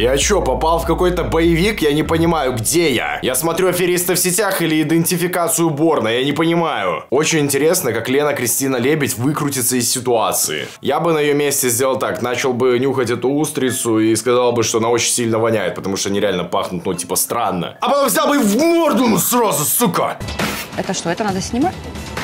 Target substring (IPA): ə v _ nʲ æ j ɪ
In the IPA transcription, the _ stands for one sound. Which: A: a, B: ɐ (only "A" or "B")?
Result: B